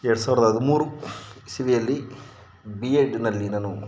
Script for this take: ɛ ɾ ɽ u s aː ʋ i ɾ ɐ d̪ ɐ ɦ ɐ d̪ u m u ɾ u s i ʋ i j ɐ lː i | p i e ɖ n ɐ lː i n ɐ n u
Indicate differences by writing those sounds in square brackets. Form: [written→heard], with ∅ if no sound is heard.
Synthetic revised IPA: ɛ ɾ ɽ u s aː ʋ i ɾ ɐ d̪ ɐ ɦ ɐ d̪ u m [u→uː] ɾ u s i ʋ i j ɐ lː i | [p→b] i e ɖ n ɐ lː i n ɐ n u